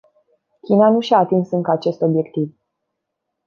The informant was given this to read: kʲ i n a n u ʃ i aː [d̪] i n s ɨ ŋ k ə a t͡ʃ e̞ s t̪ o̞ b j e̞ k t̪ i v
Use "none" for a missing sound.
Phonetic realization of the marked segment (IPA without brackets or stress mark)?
t̪